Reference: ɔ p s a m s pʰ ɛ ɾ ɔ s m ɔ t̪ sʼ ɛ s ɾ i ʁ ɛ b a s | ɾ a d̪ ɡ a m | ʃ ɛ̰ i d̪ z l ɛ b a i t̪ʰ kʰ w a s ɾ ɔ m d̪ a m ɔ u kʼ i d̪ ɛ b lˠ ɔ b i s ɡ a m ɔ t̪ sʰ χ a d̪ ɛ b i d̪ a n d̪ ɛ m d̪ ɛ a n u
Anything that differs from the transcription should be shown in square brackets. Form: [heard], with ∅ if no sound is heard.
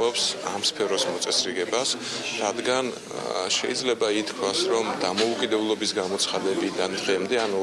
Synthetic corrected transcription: ɔ p s a m s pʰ ɛ ɾ ɔ s m ɔ t̪ sʼ ɛ s ɾ i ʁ ɛ b a s | ɾ a d̪ ɡ a [n] | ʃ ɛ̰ i d̪ z l ɛ b a i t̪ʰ kʰ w a s ɾ ɔ m d̪ a m ɔ u kʼ i d̪ ɛ b lˠ ɔ b i s ɡ a m ɔ t̪ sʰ χ a d̪ ɛ b i d̪ a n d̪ ɛ m d̪ ɛ a n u